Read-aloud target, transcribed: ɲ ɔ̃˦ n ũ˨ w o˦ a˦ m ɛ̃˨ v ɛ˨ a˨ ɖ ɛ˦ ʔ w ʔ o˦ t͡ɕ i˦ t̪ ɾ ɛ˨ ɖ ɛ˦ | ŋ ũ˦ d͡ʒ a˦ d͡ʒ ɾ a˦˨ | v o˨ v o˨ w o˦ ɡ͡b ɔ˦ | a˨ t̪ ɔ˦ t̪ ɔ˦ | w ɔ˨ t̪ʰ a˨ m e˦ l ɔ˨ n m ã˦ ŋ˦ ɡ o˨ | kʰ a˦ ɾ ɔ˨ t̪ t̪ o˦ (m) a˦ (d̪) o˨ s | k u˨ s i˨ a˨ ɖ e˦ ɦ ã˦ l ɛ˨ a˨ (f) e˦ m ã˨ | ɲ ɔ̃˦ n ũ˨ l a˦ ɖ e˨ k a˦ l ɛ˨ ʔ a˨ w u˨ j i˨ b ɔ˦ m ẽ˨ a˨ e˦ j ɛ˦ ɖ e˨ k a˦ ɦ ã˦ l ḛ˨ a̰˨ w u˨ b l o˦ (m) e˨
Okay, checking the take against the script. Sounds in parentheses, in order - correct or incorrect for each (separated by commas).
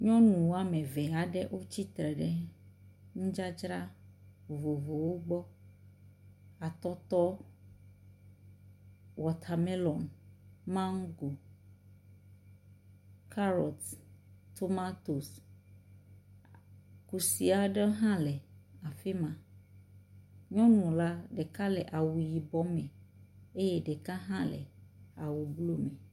correct, incorrect, correct, correct